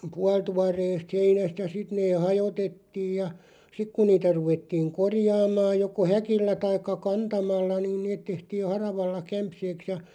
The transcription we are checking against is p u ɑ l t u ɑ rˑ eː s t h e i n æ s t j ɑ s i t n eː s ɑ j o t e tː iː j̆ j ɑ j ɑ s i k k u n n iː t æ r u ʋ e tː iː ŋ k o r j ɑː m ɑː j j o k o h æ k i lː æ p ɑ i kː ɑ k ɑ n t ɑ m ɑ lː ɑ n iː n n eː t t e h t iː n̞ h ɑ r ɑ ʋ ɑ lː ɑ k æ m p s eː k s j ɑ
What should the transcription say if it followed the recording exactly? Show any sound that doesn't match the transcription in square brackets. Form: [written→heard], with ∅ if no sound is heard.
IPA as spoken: p u ɑ l t u ɑ rˑ eː s t h e i n æ s t j ɑ s i t n eː [s→h] ɑ j o t e tː iː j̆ j ɑ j ɑ s i k k u n n iː t æ r u ʋ e tː iː ŋ k o r j ɑː m ɑː j j o k o h æ k i lː æ [p→t] ɑ i kː ɑ k ɑ n t ɑ m ɑ lː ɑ n iː n n eː t t e h t iː n̞ h ɑ r ɑ ʋ ɑ lː ɑ k æ m p s eː k s j ɑ